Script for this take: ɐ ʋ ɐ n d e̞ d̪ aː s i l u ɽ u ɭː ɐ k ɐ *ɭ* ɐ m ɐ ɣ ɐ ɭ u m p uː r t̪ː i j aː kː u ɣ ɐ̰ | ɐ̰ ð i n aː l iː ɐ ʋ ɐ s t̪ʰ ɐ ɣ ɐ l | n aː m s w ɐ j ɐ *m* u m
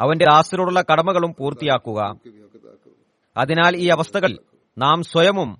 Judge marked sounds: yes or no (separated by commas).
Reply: no, yes